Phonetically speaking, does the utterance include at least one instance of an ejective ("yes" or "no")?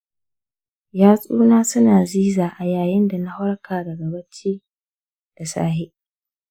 yes